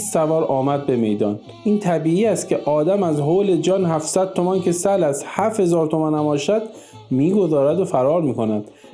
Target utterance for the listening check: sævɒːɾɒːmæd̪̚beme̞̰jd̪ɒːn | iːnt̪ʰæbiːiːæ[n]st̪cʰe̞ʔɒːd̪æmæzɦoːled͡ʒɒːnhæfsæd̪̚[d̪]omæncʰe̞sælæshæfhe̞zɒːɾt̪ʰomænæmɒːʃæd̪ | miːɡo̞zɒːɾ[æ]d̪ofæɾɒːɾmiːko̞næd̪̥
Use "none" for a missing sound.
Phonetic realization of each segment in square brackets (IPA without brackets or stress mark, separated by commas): none, t̪, æ